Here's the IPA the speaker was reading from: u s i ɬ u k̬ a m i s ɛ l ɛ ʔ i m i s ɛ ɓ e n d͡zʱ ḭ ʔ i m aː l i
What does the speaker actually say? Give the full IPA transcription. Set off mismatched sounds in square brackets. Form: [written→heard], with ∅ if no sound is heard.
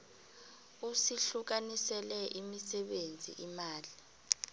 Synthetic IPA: u s i ɬ u k̬ a [m→n] i s ɛ l ɛ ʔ i m i s ɛ ɓ e n d͡zʱ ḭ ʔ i m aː l i